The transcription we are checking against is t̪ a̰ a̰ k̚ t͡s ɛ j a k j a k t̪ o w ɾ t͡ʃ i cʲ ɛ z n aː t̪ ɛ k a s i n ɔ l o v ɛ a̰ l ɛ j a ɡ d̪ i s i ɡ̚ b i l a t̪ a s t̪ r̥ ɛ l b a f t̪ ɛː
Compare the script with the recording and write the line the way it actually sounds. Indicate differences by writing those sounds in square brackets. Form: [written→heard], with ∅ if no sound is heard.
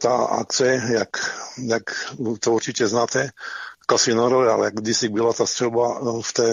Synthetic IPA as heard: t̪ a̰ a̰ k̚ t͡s ɛ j a k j a k t̪ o [w→u] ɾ t͡ʃ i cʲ ɛ z n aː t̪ ɛ k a s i n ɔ [l→ɾ] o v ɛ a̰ l ɛ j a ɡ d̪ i s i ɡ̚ b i l a t̪ a s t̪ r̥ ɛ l b a f t̪ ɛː